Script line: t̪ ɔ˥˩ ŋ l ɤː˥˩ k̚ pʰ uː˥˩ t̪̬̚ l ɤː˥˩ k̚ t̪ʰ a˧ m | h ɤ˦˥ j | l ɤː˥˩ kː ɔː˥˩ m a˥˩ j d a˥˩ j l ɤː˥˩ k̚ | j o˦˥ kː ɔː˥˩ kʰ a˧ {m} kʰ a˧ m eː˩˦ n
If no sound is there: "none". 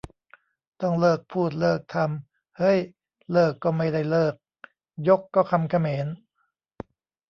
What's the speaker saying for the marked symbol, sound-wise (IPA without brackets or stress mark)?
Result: m